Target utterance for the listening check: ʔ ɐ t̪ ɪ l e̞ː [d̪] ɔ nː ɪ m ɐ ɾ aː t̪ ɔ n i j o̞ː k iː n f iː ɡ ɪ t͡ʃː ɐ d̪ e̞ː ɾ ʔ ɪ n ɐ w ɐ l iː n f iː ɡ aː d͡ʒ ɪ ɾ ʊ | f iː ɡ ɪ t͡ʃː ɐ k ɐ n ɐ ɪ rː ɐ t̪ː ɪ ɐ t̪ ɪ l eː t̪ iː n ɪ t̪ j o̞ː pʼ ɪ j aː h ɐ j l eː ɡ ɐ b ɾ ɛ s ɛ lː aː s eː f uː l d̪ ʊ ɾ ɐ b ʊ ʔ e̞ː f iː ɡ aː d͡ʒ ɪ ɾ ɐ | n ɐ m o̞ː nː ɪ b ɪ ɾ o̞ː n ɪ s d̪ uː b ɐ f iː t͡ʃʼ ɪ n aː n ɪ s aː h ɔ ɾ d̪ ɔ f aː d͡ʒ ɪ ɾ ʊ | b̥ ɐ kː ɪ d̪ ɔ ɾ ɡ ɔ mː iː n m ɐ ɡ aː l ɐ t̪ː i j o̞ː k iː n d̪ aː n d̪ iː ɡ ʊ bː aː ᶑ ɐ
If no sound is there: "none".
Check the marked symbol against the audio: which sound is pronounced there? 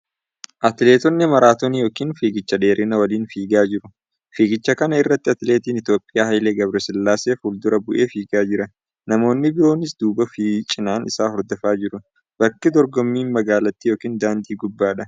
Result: t̪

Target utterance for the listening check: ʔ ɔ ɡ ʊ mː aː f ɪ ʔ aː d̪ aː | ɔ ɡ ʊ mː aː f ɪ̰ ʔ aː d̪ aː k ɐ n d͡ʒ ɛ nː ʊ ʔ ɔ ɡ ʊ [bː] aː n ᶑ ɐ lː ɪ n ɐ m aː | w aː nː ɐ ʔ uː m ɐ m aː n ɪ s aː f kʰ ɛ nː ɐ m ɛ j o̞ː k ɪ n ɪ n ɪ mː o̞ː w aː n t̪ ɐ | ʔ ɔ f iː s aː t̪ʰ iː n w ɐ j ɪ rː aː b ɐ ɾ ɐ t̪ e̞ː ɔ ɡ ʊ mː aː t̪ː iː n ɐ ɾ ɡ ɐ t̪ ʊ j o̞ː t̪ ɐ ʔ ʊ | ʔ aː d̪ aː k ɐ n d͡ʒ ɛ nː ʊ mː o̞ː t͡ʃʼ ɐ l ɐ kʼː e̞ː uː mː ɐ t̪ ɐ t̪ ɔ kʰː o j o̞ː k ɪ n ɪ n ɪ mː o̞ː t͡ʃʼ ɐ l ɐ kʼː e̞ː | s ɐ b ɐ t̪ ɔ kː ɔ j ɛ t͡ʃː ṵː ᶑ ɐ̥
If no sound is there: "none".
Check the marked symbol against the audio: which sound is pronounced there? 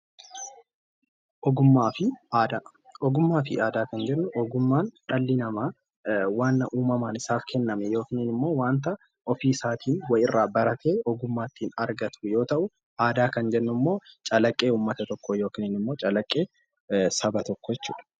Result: mː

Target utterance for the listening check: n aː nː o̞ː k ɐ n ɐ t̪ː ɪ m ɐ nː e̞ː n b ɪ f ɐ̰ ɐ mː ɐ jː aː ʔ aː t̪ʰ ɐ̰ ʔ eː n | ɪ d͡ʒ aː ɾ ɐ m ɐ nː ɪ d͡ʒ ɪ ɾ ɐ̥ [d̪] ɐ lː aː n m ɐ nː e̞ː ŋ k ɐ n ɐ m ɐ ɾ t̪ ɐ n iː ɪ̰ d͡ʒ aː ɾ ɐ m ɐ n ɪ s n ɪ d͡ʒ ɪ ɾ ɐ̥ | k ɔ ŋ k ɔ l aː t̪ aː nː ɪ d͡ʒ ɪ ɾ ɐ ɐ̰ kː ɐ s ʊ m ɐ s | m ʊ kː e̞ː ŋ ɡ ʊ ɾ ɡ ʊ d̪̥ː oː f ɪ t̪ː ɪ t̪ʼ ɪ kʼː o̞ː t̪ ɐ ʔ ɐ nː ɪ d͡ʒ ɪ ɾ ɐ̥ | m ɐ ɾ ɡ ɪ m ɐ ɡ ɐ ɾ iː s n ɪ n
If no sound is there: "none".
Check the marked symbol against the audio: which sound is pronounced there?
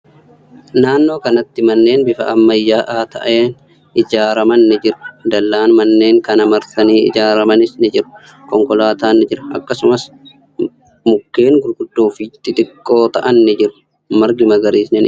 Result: d̪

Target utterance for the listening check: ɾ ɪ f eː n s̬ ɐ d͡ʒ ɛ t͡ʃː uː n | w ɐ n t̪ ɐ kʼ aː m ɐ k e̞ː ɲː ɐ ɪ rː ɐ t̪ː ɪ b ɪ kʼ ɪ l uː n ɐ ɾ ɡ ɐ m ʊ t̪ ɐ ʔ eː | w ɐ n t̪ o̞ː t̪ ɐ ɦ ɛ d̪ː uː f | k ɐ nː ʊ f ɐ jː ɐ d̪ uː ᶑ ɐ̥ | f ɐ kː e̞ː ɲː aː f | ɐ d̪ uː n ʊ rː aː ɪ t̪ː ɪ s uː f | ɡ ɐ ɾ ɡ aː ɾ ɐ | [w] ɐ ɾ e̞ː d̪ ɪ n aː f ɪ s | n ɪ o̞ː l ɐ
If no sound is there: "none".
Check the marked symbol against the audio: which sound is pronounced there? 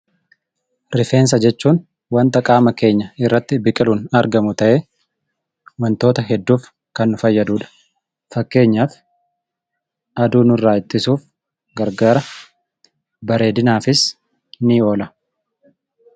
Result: b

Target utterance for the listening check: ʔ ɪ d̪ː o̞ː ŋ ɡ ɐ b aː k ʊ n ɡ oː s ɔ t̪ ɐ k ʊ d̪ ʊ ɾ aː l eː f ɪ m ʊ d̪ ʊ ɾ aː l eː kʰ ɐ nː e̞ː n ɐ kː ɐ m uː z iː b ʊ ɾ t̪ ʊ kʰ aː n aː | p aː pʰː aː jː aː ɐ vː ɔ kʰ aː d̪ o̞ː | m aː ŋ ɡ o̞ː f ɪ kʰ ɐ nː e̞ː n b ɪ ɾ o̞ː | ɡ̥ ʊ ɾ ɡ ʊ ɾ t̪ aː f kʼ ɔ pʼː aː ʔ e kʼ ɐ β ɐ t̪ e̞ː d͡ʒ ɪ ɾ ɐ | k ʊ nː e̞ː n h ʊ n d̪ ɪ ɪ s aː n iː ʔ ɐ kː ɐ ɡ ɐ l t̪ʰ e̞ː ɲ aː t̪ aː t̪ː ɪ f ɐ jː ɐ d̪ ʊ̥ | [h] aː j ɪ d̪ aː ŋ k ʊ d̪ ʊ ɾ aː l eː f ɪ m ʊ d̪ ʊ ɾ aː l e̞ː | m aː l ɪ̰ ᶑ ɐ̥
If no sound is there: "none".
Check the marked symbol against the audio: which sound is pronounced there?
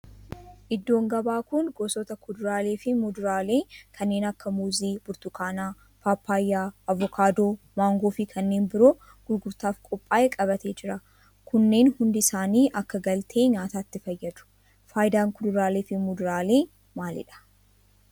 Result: f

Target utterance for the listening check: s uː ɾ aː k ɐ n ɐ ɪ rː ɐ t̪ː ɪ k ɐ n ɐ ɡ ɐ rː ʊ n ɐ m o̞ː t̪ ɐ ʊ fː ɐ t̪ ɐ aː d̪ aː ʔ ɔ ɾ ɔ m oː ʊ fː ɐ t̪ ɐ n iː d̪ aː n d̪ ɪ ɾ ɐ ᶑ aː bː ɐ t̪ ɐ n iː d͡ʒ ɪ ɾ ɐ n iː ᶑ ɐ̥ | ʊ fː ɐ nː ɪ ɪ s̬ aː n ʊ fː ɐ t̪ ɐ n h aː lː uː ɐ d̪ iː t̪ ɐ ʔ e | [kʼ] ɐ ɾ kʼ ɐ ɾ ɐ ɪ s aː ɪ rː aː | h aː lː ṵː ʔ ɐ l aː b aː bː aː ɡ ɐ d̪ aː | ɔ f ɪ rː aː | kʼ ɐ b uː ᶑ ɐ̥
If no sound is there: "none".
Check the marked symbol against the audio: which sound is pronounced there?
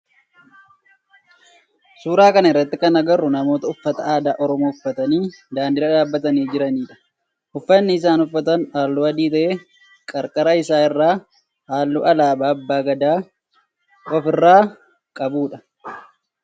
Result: kʼ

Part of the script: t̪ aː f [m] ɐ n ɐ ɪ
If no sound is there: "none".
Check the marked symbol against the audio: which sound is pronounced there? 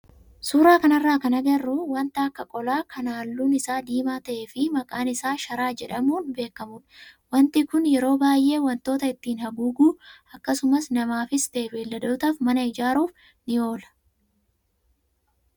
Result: m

